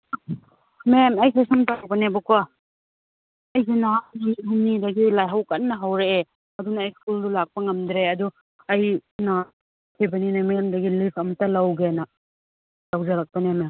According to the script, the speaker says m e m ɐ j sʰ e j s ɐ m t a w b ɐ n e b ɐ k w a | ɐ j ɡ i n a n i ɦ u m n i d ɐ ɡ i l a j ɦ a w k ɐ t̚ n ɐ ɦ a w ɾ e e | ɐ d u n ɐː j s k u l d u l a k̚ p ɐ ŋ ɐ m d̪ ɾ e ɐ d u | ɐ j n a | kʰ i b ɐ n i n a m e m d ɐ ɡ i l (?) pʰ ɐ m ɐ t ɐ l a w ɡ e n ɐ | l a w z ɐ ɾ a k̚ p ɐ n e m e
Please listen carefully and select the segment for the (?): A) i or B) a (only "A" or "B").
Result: A